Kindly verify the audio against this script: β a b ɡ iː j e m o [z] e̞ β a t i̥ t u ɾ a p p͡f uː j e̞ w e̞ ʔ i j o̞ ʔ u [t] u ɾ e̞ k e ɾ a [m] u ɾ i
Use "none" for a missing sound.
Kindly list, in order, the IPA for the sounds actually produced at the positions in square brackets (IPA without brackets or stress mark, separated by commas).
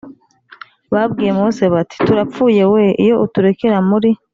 s, t, m